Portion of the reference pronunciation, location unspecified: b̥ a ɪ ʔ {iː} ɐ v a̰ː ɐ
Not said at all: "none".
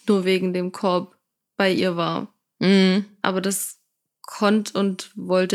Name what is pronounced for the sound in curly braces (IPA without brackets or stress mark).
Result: iː